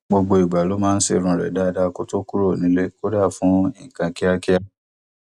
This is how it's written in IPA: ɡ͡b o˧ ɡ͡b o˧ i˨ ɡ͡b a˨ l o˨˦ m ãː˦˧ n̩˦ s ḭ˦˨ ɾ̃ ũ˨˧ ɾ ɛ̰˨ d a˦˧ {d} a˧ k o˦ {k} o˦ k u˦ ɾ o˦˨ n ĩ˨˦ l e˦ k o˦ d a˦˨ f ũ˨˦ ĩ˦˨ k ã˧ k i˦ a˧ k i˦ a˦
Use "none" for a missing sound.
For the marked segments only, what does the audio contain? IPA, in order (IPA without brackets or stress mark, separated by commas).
d, t